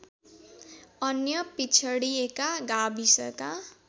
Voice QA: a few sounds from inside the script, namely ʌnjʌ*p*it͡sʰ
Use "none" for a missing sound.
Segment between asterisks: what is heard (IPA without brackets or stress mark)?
p